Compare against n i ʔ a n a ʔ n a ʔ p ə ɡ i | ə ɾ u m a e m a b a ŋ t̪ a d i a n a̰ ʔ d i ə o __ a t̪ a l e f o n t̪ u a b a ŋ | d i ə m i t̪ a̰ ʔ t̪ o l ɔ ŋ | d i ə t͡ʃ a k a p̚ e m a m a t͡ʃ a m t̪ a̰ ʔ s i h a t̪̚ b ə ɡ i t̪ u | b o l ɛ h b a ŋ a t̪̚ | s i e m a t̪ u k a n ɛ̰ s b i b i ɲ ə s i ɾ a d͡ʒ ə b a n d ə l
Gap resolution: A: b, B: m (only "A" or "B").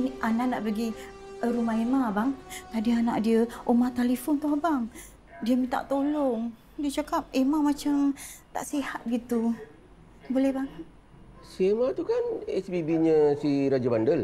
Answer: B